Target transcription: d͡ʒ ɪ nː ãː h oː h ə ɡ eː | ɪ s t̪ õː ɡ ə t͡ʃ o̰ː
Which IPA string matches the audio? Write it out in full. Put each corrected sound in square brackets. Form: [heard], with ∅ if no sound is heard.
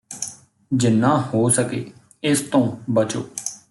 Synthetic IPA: d͡ʒ ɪ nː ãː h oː [s] ə [k] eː | ɪ s t̪ õː [b] ə t͡ʃ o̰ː